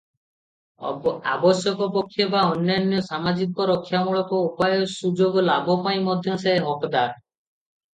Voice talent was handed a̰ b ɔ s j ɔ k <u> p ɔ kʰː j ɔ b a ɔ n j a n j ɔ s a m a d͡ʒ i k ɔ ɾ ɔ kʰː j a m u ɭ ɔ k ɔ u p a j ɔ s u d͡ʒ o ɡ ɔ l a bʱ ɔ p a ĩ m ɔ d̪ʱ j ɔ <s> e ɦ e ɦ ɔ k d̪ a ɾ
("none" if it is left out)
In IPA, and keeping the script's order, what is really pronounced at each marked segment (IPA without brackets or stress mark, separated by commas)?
ɔ, s